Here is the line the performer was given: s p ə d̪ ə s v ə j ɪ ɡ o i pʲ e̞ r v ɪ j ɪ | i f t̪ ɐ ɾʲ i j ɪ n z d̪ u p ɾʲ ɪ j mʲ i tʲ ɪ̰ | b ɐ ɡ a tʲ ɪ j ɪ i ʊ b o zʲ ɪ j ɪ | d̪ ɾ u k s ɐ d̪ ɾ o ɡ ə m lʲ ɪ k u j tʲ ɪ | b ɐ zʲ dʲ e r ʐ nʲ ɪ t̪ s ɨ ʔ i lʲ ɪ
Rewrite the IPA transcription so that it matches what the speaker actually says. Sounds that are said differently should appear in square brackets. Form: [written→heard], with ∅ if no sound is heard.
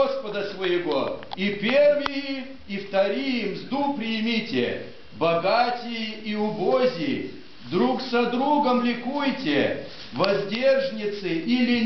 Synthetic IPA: s p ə d̪ ə s v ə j ɪ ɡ o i pʲ e̞ r v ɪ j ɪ | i f t̪ ɐ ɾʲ i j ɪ [n→m] z d̪ u p ɾʲ ɪ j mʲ i tʲ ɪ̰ | b ɐ ɡ a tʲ ɪ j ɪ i ʊ b o zʲ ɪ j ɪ | d̪ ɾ u k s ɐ d̪ ɾ [o→u] ɡ ə m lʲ ɪ k u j tʲ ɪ | [b→v] ɐ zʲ dʲ e r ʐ nʲ ɪ t̪ s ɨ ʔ i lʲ ɪ